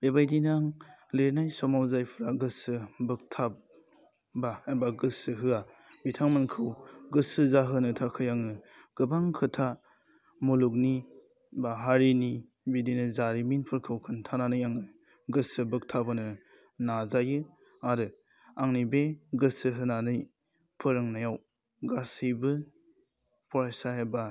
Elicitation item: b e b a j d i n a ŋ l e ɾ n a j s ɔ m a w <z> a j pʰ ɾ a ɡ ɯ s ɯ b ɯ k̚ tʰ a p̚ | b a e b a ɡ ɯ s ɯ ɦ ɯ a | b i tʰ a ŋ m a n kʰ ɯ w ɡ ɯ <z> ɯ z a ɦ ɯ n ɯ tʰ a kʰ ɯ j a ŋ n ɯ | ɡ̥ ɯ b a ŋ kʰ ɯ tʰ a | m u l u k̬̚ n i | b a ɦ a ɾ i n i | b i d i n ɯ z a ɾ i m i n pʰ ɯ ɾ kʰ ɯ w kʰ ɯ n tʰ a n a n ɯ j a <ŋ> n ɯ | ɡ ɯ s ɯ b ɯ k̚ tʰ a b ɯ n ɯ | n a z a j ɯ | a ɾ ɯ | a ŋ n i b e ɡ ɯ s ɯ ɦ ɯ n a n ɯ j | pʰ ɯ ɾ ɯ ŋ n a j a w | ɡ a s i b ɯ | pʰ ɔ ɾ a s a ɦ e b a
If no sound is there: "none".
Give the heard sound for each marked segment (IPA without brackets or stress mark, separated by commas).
z, s, ŋ